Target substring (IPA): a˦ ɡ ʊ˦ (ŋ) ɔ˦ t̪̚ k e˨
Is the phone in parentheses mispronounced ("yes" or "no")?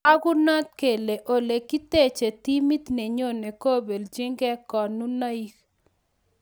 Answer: yes